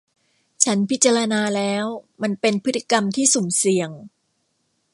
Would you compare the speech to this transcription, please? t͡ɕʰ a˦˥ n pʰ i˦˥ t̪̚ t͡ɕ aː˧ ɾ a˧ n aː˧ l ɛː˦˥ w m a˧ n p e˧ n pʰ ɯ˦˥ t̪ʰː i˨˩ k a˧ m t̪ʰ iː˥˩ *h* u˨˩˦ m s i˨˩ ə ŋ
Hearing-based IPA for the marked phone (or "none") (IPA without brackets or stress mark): s